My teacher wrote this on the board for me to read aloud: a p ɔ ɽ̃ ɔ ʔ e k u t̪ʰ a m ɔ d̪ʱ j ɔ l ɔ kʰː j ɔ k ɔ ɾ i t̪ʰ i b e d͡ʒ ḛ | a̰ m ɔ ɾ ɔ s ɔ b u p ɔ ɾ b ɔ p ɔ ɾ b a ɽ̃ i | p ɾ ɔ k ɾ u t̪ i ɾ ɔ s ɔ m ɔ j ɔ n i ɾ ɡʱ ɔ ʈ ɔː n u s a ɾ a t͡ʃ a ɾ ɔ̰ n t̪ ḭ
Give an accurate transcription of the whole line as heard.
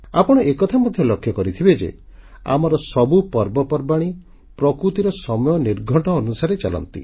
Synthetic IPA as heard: a p ɔ ɽ̃ ɔ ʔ e k ɔ t̪ʰ a m ɔ d̪ʱ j ɔ l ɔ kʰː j ɔ k ɔ ɾ i t̪ʰ i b e d͡ʒ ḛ | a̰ m ɔ ɾ ɔ s ɔ b u p ɔ ɾ b ɔ p ɔ ɾ b a ɽ̃ i | p ɾ ɔ k ɾ u t̪ i ɾ ɔ s ɔ m ɔ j ɔ n i ɾ ɡʱ ɔ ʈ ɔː n u s a ɾ e t͡ʃ a l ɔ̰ n t̪ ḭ